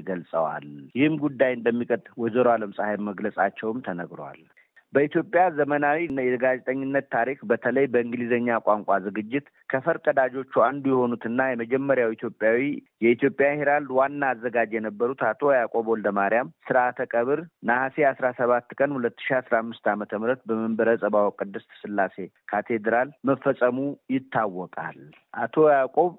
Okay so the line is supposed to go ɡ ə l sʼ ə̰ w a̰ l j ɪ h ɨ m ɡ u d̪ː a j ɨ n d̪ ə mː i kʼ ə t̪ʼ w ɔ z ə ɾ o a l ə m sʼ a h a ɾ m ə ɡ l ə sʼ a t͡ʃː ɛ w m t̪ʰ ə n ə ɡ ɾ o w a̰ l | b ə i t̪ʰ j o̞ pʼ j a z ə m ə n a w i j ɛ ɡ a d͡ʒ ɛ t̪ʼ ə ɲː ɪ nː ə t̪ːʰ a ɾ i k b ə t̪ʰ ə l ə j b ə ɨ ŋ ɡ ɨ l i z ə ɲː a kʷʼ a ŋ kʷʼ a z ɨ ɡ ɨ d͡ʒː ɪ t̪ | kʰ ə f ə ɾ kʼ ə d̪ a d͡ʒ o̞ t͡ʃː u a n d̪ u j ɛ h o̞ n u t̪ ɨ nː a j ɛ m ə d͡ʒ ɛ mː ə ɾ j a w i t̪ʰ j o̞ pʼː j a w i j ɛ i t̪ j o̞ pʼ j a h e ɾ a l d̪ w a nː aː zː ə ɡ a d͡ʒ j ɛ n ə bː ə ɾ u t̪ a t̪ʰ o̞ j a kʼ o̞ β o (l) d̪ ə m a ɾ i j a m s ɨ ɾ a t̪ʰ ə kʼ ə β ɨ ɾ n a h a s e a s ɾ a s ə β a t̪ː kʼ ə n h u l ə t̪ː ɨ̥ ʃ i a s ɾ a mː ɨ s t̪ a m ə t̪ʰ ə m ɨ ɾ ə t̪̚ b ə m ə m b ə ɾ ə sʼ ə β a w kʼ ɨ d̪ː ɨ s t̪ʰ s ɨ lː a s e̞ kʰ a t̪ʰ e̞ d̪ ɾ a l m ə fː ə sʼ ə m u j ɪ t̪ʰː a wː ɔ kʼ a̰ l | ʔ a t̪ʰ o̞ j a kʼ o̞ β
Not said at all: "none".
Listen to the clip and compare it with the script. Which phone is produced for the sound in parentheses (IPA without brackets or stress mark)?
l